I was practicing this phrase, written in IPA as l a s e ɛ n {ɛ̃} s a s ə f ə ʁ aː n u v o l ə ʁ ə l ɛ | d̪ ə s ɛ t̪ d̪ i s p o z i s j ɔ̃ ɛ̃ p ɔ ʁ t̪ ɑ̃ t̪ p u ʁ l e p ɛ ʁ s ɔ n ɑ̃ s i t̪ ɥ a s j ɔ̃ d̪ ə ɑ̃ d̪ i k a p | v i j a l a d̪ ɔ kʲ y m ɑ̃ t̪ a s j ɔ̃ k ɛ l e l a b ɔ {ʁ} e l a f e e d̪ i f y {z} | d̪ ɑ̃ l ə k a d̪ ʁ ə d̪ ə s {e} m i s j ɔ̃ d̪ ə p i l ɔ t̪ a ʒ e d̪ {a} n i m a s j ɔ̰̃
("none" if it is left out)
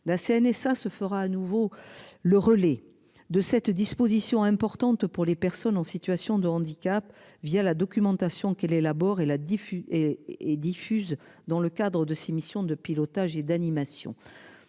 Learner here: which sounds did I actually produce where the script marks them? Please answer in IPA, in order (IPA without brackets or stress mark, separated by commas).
ɛ, ʁ, z, e, a